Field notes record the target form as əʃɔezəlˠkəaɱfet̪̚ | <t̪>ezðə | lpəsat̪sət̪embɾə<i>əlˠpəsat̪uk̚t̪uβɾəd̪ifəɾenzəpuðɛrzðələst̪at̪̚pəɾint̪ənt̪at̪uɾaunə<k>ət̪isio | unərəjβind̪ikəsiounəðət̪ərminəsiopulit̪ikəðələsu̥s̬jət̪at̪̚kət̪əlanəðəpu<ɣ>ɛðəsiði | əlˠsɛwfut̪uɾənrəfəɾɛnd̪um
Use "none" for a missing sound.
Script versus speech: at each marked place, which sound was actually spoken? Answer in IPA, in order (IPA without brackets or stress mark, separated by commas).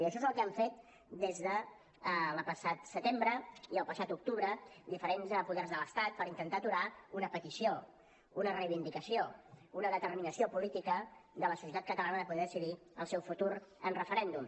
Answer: d̪, i, p, ð